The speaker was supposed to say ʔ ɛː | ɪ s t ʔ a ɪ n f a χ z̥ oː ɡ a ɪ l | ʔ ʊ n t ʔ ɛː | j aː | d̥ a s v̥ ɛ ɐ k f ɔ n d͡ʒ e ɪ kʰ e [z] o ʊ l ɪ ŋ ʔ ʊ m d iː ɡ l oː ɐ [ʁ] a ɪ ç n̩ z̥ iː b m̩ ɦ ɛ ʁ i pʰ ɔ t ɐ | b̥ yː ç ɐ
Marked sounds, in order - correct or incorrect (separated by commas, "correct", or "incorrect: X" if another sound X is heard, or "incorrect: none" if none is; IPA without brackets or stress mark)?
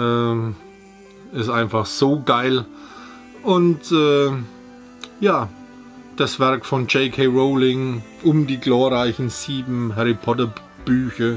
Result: incorrect: ʁ, correct